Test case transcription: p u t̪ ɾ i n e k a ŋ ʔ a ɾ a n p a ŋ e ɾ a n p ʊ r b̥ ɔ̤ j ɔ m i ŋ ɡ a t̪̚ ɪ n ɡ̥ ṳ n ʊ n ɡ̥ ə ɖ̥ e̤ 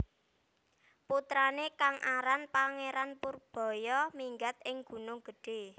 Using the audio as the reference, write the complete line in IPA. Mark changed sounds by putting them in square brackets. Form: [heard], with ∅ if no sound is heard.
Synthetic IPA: p u t̪ ɾ [a] n e k a ŋ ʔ a ɾ a n p a ŋ e ɾ a n p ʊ r b̥ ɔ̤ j ɔ m i ŋ ɡ a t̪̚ ɪ [ŋ] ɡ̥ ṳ n ʊ [ŋ] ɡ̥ ə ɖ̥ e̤